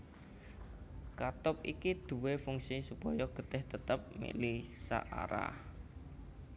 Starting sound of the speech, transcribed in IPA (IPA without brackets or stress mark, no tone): k